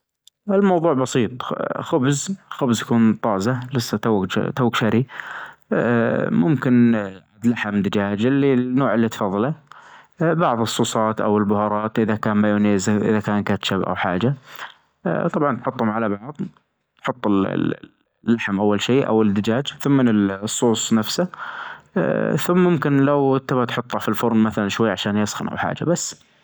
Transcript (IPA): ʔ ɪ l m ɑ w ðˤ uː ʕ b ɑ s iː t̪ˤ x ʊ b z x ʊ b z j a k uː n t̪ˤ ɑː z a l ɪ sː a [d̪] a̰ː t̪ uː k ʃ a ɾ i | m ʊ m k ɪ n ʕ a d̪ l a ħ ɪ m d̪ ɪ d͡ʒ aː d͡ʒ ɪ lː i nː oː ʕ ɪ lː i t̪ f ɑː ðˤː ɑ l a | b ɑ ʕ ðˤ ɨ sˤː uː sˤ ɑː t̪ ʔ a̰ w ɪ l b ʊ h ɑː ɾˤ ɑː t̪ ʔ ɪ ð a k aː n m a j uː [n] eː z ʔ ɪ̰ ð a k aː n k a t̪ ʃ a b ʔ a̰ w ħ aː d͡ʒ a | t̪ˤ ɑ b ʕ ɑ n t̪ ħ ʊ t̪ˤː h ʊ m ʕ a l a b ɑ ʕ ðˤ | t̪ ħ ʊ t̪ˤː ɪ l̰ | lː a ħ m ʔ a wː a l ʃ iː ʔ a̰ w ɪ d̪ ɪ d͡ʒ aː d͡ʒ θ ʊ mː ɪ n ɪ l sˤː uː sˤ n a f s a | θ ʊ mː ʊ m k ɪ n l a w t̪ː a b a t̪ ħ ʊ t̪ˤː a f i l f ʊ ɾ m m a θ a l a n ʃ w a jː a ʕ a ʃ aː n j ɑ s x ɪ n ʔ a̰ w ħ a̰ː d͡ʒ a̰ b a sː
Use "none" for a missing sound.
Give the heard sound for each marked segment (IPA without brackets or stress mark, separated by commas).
t̪, n